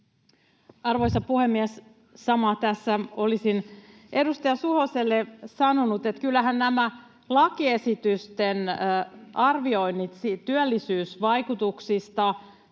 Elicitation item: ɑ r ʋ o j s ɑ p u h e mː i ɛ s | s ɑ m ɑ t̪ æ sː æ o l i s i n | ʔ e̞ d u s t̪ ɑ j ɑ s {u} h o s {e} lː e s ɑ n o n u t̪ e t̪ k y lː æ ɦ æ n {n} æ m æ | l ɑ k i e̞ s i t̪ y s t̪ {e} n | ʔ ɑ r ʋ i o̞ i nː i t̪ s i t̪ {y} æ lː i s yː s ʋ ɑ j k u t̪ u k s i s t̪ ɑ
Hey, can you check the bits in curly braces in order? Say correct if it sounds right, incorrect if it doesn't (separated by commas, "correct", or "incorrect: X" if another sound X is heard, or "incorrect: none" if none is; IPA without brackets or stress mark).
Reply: correct, correct, correct, correct, correct